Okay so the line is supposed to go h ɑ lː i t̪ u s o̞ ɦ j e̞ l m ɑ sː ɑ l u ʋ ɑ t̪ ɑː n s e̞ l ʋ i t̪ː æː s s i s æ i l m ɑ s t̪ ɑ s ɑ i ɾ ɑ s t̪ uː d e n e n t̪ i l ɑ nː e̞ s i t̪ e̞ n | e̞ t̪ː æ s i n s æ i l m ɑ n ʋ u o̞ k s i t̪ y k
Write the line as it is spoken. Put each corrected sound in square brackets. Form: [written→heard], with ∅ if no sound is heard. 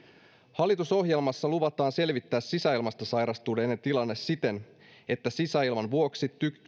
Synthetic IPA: h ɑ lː i t̪ u s o̞ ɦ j e̞ l m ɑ sː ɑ l u ʋ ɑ t̪ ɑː n s e̞ l ʋ i t̪ː æː s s i s æ i l m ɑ s t̪ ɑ s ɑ [i→j] ɾ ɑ s t̪ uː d e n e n t̪ i l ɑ nː e̞ s i t̪ e̞ n | e̞ t̪ː æ s i [n→∅] s æ i l m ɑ n ʋ u o̞ k s i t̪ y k